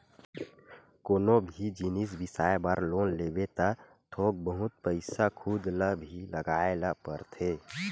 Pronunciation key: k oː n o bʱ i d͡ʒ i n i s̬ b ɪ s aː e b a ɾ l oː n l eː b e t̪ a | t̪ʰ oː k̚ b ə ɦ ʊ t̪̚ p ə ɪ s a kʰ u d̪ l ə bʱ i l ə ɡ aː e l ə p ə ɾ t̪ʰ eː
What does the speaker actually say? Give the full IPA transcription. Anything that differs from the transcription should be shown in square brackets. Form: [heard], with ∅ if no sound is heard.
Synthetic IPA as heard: k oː n o bʱ i d͡ʒ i n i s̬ b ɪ s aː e b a ɾ l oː n l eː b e t̪ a | t̪ʰ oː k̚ b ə ɦ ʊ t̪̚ p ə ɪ s a kʰ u d̪ l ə bʱ i l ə ɡ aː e l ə p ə ɾ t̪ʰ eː